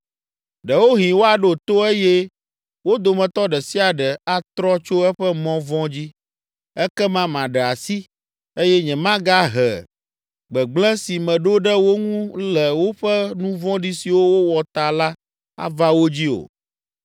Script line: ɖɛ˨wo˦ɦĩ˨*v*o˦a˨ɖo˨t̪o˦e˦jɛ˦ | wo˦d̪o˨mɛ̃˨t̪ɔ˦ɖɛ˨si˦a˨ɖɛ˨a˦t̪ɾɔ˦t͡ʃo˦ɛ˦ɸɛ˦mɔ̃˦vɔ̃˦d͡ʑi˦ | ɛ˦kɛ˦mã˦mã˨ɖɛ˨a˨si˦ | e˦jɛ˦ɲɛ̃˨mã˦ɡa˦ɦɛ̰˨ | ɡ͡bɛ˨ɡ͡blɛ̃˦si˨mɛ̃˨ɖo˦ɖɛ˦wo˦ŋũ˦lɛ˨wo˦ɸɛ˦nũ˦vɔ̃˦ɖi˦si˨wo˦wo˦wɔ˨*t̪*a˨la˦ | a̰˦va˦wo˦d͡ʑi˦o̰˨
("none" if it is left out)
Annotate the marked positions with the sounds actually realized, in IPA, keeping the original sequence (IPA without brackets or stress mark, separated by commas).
w, t̪